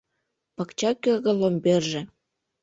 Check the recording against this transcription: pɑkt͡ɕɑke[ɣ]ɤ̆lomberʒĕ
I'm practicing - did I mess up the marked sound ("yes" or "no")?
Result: no